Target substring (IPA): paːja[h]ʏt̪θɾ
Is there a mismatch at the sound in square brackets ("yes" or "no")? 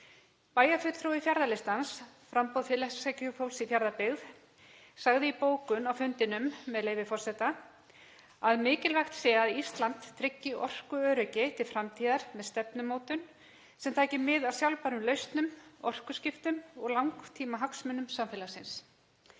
yes